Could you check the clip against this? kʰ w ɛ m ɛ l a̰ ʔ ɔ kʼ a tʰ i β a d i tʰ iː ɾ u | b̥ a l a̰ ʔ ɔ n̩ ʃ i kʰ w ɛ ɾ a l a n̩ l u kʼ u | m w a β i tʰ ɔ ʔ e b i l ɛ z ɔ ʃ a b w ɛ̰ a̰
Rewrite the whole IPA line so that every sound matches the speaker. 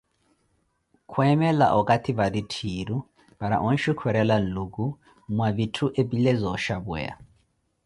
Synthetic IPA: kʰ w ɛ m ɛ l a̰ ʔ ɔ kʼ a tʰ i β a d i tʰ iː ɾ u | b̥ a ɾ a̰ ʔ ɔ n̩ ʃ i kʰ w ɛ ɾ ɛ l a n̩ l u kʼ u | m w a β i tʰ u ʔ e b i l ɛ z ɔ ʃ a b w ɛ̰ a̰

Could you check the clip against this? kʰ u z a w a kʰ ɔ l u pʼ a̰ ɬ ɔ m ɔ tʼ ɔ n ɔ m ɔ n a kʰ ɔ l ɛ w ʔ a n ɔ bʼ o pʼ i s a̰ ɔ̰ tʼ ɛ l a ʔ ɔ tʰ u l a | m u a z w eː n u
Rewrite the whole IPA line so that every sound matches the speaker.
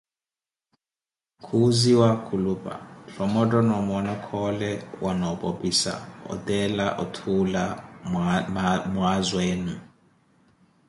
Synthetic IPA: kʰ u z i w a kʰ u l u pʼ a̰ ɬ ɔ m ɔ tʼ ɔ n ɔ m ɔ n a kʰ ɔ l ɛ w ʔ a n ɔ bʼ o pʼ i s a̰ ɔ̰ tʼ ɛ l a ʔ ɔ tʰ u l a | m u a z w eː n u

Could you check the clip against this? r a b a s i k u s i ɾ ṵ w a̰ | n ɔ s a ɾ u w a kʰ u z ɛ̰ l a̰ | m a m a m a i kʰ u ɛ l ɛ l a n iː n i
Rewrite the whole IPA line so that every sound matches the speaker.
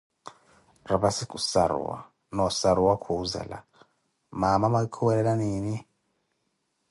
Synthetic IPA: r a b a s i k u s a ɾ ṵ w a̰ | n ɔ s a ɾ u w a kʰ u z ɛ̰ l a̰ | m a m a m a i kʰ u ɛ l ɛ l a n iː n i

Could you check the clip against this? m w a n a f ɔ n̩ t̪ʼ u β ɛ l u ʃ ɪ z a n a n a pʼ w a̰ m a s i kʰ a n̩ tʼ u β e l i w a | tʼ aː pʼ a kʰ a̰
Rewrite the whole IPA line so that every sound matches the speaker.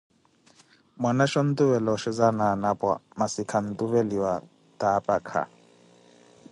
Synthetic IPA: m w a n a ʃ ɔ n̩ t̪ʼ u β ɛ l ɔ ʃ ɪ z a n a n a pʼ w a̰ m a s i kʰ a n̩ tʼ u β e l i w a | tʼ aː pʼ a kʰ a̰

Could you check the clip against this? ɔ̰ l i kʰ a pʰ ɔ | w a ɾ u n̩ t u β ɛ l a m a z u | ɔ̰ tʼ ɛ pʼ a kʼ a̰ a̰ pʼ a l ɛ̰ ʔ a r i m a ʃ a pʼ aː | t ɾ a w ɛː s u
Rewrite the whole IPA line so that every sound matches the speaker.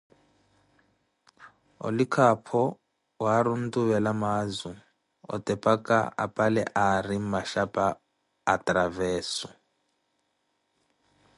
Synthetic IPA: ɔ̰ l i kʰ a pʰ ɔ | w a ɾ u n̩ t u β ɛ l a m a z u | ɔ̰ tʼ ɛ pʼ a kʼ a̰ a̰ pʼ a l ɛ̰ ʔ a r i m a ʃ a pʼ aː | t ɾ a v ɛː s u

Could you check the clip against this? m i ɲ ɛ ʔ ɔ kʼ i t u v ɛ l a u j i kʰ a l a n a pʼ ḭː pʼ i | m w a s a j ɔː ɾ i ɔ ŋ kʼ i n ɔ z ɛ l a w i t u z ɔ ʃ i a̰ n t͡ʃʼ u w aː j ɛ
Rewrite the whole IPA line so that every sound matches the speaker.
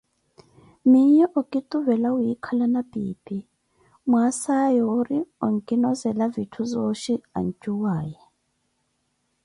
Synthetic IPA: m i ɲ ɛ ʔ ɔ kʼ i t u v ɛ l a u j i kʰ a l a n a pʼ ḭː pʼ i | m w a s a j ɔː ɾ i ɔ ŋ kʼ i n ɔ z ɛ l a v i tʰ u z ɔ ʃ i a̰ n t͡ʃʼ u w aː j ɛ

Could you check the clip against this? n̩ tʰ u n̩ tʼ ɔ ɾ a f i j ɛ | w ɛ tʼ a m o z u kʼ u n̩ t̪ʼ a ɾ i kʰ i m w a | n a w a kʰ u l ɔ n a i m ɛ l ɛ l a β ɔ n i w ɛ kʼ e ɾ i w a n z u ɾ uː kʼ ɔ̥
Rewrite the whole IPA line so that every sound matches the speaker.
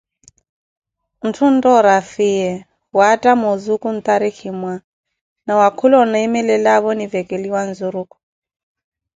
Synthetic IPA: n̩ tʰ u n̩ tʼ ɔ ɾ a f i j ɛ | w a tʼ a m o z u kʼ u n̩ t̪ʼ a ɾ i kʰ i m w a | n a w a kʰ u l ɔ n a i m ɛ l ɛ l a β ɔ n i v ɛ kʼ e l i w a n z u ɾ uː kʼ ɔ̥

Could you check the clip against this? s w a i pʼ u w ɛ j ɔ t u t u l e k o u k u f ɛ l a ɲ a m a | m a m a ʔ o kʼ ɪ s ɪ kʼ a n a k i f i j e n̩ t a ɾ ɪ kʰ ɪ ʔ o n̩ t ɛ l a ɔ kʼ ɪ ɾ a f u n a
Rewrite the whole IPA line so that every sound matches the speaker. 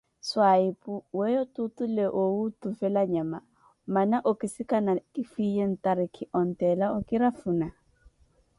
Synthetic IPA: s w a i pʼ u w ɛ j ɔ t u t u l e ʔ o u t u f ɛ l a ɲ a m a | m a n a ʔ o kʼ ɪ s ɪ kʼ a n a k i f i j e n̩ t a ɾ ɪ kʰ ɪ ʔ ɔ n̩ t ɛ l a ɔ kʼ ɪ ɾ a f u n a

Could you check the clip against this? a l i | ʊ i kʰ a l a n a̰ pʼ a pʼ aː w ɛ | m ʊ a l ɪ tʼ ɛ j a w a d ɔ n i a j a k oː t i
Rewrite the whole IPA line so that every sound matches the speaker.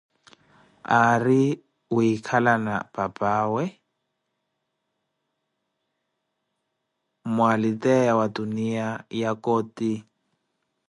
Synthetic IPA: a r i | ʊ i kʰ a l a n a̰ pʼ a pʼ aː w ɛ | m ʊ a l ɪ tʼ ɛ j a w a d u n i a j a k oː t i

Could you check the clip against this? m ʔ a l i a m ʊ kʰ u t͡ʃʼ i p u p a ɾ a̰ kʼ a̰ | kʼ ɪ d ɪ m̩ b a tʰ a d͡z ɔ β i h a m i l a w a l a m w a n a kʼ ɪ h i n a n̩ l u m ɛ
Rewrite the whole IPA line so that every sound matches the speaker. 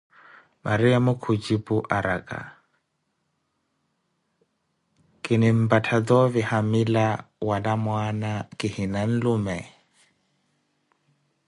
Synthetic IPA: m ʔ a ɾ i a m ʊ kʰ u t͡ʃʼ i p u ʔ a ɾ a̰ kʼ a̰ | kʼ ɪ n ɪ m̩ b a tʰ a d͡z ɔ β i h a m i l a w a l a m w a n a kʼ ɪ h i n a n̩ l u m ɛ

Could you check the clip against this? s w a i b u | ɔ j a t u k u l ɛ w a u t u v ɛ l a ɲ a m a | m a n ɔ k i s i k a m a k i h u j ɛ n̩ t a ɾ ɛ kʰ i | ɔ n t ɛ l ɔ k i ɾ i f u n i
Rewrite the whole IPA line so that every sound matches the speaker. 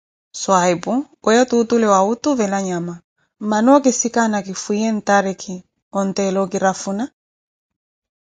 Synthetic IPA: s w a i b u | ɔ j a t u t u l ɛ w a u t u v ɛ l a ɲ a m a | m a n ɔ k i s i k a n a k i f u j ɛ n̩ t a ɾ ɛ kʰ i | ɔ n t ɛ l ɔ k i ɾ a f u n a

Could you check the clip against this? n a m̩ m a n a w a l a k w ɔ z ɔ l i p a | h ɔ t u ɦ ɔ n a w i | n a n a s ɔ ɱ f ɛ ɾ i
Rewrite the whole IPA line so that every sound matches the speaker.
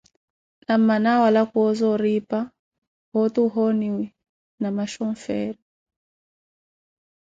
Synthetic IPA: n a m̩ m a n a w a l a k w ɔ z ɔ ɾ i p a | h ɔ t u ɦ ɔ n i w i | n a m a ʃ ɔ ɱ f ɛ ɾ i

